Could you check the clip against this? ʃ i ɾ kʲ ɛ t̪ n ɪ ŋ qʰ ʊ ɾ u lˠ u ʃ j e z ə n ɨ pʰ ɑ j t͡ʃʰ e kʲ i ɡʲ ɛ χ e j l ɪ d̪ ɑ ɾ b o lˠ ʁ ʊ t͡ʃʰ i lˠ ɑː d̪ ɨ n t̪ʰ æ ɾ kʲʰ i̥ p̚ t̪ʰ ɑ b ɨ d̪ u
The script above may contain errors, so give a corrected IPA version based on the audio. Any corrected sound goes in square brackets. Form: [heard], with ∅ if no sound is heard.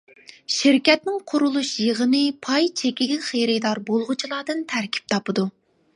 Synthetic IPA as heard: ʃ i ɾ kʲ ɛ t̪ n ɪ ŋ qʰ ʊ ɾ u lˠ u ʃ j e [ʁ] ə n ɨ pʰ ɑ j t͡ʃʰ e kʲ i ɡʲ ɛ χ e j [ɾ] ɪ d̪ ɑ ɾ b o lˠ ʁ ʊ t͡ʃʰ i lˠ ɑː d̪ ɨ n t̪ʰ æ ɾ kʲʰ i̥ p̚ t̪ʰ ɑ [p] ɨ d̪ u